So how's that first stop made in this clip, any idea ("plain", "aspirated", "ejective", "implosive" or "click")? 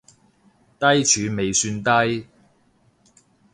plain